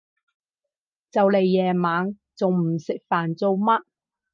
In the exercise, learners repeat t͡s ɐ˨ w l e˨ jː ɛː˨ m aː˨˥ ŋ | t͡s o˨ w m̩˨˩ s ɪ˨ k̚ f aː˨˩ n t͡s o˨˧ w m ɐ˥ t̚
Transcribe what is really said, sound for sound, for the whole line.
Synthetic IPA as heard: t͡s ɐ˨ w l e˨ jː ɛː˨ m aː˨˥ ŋ | t͡s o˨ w m̩˨˩ s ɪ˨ k̚ f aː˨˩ n t͡s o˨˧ w m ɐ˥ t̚